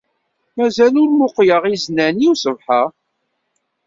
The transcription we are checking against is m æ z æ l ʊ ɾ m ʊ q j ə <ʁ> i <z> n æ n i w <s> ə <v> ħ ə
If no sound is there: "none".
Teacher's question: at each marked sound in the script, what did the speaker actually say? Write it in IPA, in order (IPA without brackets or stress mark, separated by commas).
ʁ, z, s, v